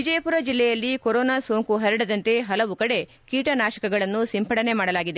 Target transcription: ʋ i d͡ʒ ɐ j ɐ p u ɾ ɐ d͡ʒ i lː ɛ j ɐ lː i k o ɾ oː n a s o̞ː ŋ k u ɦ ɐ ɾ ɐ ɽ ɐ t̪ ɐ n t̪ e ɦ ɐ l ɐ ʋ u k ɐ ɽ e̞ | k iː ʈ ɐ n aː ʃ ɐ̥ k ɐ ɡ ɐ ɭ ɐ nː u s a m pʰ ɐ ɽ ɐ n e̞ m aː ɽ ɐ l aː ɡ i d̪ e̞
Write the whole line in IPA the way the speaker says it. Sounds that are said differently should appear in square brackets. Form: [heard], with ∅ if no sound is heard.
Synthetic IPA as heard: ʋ i d͡ʒ ɐ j ɐ p u ɾ ɐ d͡ʒ i lː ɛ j ɐ lː i k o ɾ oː n a s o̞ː ŋ k u ɦ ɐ ɾ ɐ ɽ ɐ [d̪] ɐ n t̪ e ɦ ɐ l ɐ ʋ u k ɐ ɽ e̞ | k iː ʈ ɐ n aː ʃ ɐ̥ k ɐ ɡ ɐ ɭ ɐ nː u s [i] m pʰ ɐ ɽ ɐ n e̞ m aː ɽ ɐ l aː ɡ i d̪ e̞